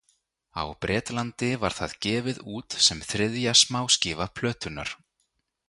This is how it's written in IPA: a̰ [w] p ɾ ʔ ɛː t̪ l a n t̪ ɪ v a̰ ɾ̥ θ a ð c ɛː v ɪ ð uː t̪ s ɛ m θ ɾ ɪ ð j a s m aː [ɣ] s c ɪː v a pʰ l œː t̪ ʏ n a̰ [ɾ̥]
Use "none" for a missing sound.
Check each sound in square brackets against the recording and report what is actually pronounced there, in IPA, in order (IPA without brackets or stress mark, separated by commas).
w, w, ɾ̥